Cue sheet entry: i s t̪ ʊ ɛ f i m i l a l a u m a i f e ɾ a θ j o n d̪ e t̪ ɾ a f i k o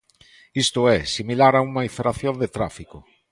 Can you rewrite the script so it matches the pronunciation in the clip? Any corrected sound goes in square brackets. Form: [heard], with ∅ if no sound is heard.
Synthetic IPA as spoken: i s t̪ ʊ ɛ [s] i m i l a [ɾ] a u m a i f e ɾ a θ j o n d̪ e t̪ ɾ a f i k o